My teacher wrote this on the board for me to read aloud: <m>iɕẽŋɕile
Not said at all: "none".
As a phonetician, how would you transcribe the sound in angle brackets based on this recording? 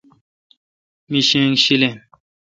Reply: m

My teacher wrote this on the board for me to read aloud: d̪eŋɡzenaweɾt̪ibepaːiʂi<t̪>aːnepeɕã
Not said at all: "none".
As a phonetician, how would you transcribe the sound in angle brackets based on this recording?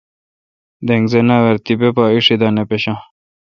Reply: d̪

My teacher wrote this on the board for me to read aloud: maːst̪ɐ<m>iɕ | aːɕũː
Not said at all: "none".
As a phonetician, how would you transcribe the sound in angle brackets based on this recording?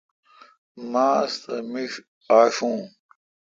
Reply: m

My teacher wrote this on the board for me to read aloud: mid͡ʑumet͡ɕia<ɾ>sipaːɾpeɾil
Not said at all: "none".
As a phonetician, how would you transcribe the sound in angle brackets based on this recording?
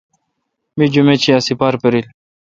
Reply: none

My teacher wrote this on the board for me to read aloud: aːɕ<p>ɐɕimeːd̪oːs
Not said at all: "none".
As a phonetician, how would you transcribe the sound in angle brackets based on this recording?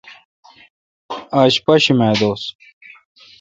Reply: p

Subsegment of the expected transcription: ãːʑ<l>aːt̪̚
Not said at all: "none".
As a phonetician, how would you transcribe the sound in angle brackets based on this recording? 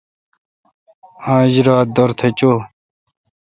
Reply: ɾ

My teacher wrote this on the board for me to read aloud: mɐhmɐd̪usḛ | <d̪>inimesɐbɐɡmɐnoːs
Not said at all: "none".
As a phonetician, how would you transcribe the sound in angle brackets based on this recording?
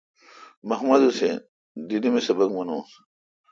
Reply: d̪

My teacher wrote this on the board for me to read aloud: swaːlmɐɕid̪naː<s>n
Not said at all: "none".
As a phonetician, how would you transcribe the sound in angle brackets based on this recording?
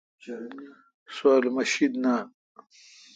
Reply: none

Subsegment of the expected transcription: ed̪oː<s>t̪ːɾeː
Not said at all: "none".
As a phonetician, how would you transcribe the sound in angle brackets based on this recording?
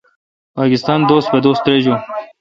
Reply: s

